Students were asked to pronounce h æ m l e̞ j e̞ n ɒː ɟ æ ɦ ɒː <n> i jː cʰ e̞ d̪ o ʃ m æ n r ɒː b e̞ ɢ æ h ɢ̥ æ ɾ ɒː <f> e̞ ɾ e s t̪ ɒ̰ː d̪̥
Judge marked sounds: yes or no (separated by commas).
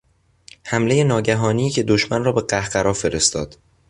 yes, yes